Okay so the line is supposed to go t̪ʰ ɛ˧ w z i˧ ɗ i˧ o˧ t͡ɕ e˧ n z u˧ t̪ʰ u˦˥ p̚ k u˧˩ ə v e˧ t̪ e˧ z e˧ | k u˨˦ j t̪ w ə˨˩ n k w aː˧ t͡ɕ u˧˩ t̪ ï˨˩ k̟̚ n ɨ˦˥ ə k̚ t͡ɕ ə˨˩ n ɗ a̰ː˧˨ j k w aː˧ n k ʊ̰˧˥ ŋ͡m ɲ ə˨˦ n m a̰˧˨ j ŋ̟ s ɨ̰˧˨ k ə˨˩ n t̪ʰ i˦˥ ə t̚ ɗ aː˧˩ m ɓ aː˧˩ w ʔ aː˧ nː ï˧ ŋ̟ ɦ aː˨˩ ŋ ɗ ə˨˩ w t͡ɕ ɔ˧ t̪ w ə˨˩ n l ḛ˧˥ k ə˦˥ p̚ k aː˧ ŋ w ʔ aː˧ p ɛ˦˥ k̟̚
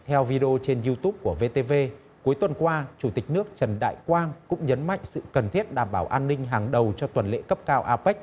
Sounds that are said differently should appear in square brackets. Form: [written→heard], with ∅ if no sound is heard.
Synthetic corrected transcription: t̪ʰ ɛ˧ w [z→v] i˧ ɗ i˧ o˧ t͡ɕ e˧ n z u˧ [t̪ʰ→t̪] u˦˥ p̚ k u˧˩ ə v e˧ t̪ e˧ [z→v] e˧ | k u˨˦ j t̪ w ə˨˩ n k w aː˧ t͡ɕ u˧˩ t̪ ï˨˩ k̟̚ n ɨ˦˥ ə k̚ t͡ɕ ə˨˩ n ɗ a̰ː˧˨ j k w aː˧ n k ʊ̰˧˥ ŋ͡m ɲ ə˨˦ n m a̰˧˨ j ŋ̟ s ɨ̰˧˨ k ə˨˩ n t̪ʰ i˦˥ ə t̚ ɗ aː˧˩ m ɓ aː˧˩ w ʔ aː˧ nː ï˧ ŋ̟ ɦ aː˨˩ ŋ ɗ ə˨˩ w t͡ɕ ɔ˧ t̪ w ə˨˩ n l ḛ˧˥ k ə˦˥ p̚ k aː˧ [ŋ→∅] w ʔ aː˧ p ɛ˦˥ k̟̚